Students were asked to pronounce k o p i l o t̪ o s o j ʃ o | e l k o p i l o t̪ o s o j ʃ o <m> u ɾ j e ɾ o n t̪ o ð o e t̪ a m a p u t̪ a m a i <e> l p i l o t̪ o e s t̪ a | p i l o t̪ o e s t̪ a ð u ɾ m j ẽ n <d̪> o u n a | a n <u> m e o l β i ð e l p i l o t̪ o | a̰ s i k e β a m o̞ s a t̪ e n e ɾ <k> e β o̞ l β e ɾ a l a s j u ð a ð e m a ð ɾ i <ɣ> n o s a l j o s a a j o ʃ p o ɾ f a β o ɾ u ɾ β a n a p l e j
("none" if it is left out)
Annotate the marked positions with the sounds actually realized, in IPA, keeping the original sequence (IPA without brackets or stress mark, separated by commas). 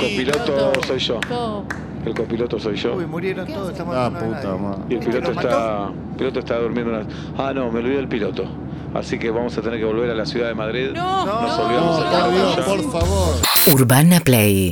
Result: m, e, d̪, o, k, ð